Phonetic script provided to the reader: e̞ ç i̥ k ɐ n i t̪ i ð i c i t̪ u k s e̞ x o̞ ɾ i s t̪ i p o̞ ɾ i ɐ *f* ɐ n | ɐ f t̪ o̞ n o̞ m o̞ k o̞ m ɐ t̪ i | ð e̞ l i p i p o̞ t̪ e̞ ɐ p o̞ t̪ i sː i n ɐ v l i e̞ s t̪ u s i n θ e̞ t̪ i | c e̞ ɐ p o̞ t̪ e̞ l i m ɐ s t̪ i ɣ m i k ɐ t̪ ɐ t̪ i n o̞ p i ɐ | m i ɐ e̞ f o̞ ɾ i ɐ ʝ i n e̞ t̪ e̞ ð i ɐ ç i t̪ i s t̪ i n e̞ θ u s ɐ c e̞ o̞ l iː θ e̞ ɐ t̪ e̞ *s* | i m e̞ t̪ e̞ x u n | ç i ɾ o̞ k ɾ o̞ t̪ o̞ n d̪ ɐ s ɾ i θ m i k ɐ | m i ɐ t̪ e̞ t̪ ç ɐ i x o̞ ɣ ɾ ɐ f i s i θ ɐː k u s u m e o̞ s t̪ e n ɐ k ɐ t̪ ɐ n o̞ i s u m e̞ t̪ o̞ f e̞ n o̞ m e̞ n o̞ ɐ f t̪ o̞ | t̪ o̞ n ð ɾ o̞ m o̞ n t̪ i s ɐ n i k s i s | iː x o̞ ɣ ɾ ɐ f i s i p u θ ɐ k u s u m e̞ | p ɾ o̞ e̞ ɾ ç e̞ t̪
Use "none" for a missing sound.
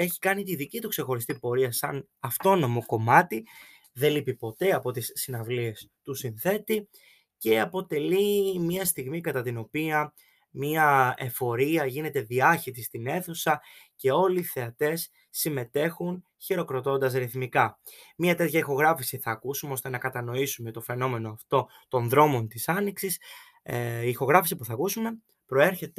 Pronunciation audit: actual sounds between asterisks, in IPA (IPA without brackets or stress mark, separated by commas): s, sː